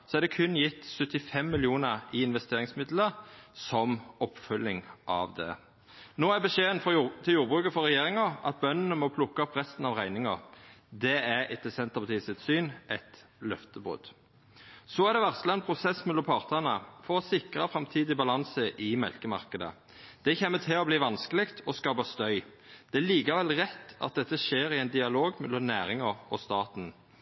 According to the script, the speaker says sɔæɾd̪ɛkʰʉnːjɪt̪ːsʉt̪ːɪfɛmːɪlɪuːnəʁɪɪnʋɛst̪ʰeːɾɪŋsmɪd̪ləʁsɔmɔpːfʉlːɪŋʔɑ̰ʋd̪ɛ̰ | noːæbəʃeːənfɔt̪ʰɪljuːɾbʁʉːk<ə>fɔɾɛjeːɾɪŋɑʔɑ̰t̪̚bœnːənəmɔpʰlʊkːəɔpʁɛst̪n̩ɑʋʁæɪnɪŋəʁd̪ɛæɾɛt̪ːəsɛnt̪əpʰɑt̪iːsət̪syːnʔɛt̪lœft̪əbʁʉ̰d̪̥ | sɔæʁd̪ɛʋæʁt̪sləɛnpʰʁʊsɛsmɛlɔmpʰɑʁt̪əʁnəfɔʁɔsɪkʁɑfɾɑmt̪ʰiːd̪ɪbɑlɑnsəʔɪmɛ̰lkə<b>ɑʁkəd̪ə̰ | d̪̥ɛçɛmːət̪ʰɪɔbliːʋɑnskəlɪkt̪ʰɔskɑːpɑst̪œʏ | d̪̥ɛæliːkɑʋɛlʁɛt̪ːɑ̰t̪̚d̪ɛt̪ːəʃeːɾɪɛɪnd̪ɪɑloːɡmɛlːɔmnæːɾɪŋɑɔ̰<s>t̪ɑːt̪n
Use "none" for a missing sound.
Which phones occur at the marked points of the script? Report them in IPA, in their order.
ə, m, s

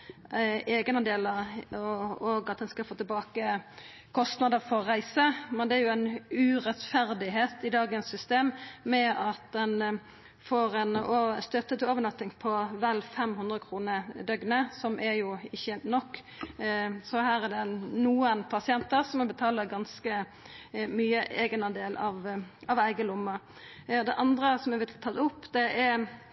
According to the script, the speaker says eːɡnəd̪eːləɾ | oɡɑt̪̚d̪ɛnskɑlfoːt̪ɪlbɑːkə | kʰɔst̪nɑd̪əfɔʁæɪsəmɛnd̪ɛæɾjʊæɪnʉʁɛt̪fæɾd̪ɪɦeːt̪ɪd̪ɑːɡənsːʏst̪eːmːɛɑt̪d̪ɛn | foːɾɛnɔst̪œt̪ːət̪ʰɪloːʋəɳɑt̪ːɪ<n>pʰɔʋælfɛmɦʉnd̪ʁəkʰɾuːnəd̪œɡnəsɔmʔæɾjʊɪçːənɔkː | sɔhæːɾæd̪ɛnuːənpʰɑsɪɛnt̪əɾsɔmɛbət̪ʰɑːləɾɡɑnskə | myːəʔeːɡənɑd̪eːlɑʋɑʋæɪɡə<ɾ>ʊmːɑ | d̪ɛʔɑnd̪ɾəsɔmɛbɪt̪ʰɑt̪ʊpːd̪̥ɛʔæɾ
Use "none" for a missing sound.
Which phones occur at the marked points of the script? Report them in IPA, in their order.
ŋ, l

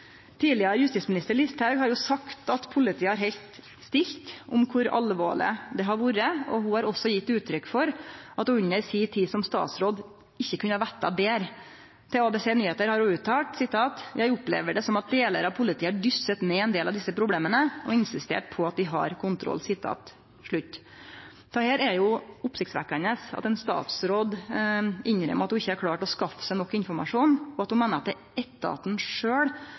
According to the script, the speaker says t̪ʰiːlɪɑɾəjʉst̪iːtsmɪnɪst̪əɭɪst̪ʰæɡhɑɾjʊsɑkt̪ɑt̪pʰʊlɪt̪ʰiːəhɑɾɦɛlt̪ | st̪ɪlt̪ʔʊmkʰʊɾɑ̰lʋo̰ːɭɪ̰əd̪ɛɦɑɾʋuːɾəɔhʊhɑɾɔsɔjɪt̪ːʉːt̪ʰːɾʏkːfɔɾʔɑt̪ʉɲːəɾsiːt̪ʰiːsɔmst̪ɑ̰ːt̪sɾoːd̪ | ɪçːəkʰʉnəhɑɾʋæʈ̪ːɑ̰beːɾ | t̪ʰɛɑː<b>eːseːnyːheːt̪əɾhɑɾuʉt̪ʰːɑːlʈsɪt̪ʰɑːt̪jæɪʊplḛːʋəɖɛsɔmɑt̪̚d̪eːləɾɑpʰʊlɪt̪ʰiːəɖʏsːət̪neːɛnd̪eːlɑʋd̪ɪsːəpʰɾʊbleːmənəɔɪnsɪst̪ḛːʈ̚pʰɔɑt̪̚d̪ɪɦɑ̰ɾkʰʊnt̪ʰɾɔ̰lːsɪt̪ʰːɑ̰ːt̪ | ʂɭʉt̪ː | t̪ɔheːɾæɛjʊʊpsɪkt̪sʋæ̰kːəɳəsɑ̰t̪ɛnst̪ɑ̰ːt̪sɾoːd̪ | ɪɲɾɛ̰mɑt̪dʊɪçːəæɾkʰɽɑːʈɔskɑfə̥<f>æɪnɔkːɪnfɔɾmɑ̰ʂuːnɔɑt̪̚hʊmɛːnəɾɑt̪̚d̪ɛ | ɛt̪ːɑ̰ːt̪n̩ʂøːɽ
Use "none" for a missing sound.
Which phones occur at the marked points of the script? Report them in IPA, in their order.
b, s

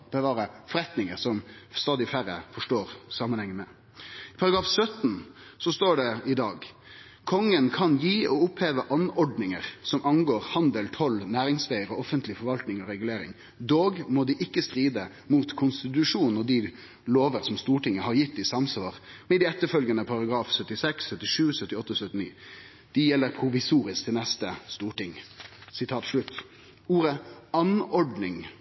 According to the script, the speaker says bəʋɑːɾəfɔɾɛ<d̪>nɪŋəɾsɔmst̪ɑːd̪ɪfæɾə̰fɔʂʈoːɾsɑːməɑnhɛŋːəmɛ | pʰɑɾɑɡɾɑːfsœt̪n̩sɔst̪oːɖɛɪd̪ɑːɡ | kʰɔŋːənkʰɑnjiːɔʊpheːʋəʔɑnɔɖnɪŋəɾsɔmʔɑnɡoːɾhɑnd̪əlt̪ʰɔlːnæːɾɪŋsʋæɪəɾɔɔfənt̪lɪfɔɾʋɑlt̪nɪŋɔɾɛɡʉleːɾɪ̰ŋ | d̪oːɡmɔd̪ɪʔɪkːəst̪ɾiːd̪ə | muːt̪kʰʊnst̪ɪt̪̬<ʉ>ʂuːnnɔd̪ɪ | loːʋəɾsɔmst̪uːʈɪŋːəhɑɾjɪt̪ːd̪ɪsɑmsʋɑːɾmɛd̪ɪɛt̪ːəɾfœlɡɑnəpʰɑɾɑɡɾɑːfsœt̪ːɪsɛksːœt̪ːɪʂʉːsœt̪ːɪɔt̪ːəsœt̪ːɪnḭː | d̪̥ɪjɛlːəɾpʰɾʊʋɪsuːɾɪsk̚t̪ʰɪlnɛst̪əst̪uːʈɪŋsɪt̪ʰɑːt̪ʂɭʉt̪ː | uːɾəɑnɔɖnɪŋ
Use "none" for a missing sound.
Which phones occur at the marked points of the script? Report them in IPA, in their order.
t̪, ʉ

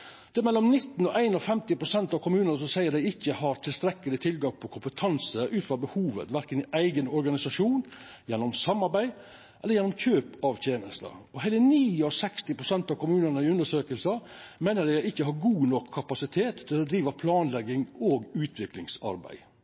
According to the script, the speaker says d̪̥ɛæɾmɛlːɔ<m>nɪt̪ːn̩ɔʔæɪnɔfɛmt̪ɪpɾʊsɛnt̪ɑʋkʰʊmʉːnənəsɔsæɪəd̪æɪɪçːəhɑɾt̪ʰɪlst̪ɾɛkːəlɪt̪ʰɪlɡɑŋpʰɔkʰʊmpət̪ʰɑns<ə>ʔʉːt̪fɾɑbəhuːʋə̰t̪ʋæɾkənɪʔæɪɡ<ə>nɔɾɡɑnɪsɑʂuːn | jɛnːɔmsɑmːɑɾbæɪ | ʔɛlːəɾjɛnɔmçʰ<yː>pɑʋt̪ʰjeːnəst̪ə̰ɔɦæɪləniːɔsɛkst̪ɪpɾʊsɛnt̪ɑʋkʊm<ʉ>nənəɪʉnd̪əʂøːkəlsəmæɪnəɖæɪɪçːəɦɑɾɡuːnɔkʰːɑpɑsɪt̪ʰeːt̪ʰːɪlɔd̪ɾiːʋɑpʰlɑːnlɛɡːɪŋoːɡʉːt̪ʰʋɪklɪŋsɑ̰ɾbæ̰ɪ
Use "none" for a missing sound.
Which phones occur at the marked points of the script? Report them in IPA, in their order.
m, ə, ə, øː, ʉː

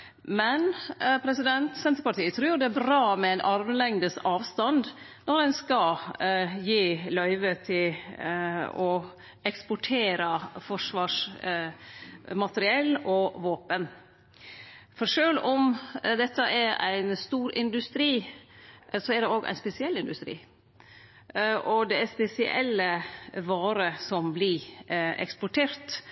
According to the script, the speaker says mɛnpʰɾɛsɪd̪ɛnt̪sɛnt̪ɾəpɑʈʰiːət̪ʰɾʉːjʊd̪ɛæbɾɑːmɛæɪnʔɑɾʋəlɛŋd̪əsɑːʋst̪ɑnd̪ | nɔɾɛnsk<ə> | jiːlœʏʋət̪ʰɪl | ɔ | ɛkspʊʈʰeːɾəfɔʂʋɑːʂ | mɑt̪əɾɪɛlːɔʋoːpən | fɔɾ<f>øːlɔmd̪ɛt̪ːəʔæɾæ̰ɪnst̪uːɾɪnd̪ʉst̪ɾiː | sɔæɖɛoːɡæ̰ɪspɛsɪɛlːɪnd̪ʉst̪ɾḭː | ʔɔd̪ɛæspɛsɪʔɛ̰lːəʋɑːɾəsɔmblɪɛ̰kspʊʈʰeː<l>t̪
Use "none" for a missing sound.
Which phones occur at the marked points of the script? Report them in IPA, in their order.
ɑ, ʂ, ɾ

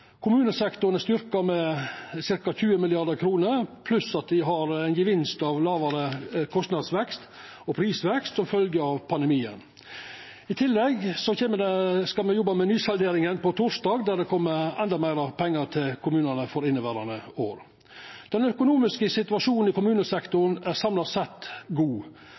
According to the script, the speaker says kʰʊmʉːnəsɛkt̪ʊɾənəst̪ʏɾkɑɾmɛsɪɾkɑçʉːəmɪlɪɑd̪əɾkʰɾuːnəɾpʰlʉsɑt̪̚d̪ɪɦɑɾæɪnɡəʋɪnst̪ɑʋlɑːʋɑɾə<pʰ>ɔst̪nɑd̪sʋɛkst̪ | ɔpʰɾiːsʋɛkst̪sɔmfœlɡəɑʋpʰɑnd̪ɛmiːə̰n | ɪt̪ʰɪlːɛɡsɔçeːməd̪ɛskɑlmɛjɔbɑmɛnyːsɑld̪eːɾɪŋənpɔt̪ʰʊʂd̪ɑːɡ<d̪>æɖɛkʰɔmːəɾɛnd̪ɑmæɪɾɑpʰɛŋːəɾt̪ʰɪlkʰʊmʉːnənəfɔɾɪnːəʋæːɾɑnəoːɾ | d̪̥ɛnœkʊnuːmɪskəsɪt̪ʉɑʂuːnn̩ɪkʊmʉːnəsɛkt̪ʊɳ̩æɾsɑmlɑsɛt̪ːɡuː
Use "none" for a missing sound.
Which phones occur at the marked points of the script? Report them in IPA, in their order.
kʰ, d̪

